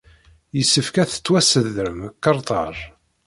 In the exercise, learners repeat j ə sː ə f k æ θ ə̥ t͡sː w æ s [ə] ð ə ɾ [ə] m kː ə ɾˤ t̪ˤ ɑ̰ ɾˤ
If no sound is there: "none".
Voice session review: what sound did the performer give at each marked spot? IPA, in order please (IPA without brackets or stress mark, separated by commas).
ə, ə